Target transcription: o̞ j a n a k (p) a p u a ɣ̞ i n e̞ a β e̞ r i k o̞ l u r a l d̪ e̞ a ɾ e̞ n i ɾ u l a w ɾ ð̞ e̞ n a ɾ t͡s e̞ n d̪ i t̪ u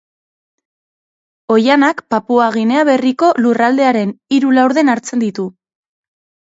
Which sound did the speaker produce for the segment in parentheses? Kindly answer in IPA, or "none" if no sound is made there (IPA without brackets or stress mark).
p